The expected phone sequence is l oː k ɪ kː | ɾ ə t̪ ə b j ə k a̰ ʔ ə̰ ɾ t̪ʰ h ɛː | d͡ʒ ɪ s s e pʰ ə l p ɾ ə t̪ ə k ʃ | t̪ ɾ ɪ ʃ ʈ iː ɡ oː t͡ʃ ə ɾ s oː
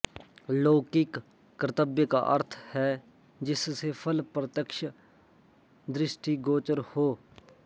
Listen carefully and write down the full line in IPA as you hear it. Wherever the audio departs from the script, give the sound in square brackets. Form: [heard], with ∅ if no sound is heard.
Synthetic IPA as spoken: l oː k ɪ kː | ɾ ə t̪ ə b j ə k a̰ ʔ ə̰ ɾ t̪ʰ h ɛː | d͡ʒ ɪ s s e pʰ ə l p ɾ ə t̪ ə k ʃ | [d̪] ɾ ɪ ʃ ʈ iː ɡ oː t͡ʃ ə ɾ [h] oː